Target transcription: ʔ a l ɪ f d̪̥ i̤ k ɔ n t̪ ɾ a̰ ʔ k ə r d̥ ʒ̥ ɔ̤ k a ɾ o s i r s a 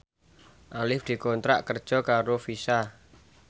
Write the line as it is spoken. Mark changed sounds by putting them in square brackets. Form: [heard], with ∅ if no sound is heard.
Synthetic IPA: ʔ a l ɪ f d̪̥ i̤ k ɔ n t̪ ɾ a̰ ʔ k ə r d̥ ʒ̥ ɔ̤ k a ɾ o [f] i [∅] s a